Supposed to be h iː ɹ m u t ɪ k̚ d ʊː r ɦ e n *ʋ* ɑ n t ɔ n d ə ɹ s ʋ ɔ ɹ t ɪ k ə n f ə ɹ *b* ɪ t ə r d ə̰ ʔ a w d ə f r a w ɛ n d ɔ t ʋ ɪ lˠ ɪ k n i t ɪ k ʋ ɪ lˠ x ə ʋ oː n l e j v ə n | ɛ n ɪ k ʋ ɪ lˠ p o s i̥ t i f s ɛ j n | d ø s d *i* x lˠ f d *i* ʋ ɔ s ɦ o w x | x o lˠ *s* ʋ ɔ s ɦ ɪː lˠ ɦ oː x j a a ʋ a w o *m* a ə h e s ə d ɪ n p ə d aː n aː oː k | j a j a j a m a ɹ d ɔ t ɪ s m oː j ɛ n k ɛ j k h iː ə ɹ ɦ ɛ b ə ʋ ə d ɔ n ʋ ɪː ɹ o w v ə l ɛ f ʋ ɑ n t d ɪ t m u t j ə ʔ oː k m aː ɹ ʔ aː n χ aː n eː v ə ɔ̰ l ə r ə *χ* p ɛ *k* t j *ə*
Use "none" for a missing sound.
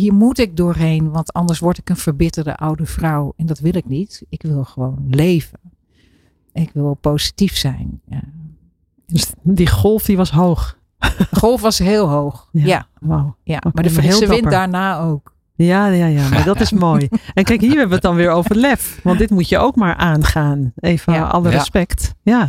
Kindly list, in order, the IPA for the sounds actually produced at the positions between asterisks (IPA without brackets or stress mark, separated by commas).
ʋ, b, i, i, f, m, s, k, a